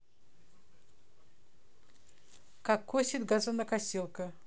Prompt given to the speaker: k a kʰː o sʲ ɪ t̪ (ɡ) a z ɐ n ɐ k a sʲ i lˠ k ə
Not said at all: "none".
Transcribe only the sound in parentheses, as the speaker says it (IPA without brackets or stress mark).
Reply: ɡ